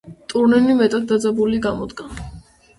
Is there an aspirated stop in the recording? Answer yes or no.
no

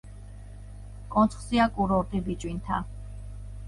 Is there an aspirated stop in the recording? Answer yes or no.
yes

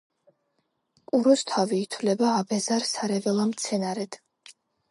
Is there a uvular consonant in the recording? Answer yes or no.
no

